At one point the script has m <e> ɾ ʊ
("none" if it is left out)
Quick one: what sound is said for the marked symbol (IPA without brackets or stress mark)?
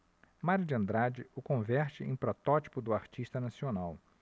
a